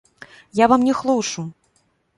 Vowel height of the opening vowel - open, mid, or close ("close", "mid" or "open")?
open